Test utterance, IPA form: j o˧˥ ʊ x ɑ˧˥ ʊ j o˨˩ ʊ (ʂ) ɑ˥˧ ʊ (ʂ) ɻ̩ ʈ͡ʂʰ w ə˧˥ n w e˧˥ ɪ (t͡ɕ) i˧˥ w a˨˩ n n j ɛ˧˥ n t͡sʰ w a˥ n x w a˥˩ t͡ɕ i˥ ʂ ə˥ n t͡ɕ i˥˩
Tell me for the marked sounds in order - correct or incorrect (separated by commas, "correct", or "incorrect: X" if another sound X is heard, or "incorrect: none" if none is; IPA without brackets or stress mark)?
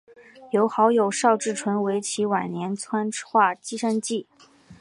correct, incorrect: ʈ͡ʂ, incorrect: t͡ɕʰ